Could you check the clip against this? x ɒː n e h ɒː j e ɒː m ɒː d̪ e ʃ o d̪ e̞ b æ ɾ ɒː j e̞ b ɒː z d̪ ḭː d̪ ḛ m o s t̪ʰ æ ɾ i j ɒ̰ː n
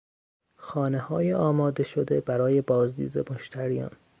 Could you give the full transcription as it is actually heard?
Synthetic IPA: x ɒː n e h ɒː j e ɒː m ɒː d̪ e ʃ o d̪ e̞ b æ ɾ ɒː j e̞ b ɒː z d̪ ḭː d̪ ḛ m o ʃ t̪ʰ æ ɾ i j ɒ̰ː n